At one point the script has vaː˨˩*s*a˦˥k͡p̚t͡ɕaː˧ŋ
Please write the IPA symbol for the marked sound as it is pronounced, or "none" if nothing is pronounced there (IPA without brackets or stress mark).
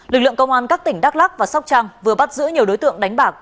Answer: s